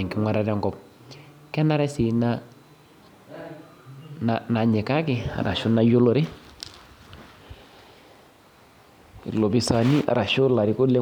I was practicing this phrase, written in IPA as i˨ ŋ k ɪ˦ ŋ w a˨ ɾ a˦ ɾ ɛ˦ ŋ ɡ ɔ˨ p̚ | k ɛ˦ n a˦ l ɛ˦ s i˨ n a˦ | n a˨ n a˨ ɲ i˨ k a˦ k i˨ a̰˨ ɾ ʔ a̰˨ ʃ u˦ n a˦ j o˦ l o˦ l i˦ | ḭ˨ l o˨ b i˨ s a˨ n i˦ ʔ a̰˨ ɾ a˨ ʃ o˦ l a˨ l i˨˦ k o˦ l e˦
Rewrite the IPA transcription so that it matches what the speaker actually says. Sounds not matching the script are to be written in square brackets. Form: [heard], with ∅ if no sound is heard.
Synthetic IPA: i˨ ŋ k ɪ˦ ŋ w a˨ ɾ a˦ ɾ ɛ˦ ŋ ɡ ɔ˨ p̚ | k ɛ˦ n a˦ [ɾ] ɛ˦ s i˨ n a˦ | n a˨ n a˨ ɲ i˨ k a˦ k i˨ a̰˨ ɾ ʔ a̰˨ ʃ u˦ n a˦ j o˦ l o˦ [ɾ] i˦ | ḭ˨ l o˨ b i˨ s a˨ n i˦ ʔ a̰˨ ɾ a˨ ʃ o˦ l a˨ [ɾ] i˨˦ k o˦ l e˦